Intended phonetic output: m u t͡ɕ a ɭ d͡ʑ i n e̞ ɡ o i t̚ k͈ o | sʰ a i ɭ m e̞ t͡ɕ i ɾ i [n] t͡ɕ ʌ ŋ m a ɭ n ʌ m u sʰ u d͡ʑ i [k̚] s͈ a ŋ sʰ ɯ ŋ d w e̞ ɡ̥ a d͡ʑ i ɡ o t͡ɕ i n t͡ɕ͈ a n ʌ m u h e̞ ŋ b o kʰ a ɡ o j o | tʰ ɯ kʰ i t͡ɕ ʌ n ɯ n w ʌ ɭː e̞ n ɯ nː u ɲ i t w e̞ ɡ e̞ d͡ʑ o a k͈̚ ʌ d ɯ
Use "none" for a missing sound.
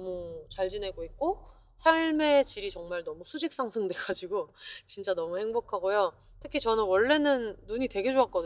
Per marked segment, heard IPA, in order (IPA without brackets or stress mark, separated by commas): none, k̚